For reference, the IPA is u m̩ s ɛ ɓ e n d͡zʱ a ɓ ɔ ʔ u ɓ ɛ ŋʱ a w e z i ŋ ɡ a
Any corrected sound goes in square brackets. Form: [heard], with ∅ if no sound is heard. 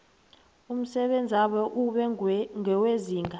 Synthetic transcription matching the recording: u m̩ s ɛ ɓ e n d͡zʱ a ɓ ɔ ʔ u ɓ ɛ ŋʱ [ɛ] w e z [iː] ŋ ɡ a

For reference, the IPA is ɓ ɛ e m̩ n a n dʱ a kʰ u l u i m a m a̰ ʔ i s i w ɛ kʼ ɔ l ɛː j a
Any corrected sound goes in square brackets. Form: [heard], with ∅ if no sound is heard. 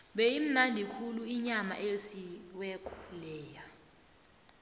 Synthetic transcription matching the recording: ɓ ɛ [i] m̩ n a n dʱ [i] kʰ u l u i [ɲ] a m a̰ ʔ [e] s i w ɛ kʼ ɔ l ɛː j a

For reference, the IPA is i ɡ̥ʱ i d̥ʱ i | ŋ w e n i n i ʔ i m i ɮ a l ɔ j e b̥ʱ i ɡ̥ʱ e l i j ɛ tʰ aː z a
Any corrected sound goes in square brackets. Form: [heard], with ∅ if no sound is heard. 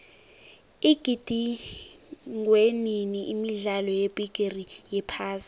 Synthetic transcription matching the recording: i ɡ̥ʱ i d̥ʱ i | ŋ w e n i n i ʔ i m i ɮ a l ɔ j e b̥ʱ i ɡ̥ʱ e [r] i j ɛ [pʰ] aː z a

